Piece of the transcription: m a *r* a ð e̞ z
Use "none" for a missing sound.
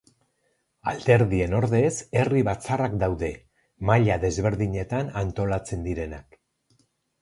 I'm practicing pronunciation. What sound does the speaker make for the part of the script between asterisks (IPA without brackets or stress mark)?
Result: ʎ